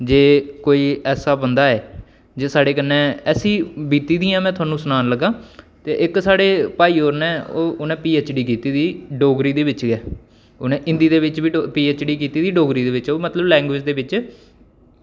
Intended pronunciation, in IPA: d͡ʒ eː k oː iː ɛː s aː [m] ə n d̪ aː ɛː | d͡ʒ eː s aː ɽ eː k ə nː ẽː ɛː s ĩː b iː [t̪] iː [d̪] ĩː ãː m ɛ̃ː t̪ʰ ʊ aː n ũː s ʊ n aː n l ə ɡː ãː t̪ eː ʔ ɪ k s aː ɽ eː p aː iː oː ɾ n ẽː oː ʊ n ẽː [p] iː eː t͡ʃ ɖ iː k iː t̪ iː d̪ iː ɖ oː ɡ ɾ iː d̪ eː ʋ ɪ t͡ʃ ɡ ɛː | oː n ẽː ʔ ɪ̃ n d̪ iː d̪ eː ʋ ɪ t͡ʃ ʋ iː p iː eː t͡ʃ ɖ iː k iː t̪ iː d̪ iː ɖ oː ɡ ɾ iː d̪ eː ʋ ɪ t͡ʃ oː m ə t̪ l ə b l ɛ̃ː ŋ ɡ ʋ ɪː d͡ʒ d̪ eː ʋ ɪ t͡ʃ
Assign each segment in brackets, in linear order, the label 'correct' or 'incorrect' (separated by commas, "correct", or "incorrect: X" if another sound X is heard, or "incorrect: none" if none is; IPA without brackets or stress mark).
incorrect: b, correct, correct, correct